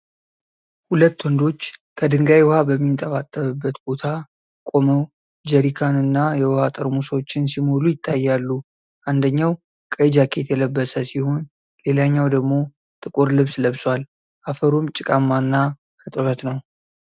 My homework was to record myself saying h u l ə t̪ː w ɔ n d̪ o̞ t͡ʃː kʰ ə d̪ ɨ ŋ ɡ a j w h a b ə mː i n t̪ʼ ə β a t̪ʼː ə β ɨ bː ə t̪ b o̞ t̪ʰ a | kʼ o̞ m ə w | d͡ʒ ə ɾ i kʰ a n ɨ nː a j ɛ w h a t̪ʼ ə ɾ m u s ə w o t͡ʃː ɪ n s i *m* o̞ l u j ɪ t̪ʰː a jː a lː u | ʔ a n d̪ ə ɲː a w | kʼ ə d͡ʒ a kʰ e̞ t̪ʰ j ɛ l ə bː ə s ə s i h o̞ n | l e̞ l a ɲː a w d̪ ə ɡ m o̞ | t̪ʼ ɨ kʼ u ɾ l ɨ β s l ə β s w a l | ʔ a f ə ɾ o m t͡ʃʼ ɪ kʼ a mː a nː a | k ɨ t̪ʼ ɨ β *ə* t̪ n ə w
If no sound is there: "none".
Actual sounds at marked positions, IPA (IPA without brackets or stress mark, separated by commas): m, ə